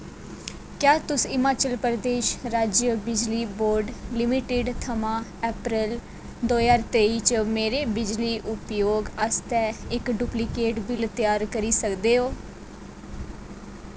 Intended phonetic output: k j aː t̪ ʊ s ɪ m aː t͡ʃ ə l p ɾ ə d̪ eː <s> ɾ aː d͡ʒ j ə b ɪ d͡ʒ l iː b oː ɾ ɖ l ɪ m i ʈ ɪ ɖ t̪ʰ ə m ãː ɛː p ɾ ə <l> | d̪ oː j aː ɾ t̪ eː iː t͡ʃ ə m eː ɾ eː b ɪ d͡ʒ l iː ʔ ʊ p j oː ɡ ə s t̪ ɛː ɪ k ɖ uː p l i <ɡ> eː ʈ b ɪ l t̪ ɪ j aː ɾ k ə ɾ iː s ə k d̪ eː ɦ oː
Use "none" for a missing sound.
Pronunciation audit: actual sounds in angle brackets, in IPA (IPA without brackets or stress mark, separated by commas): ʃ, l, k